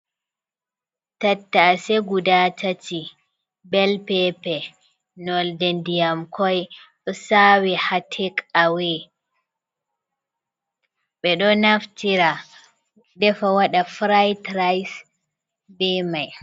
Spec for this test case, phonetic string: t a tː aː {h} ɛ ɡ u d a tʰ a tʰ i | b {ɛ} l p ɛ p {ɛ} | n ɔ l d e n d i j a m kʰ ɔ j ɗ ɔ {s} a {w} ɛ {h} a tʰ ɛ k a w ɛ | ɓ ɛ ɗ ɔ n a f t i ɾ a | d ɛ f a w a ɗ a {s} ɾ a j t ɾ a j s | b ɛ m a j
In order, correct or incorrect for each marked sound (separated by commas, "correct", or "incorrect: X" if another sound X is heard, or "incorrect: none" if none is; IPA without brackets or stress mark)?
incorrect: s, correct, correct, correct, correct, correct, incorrect: f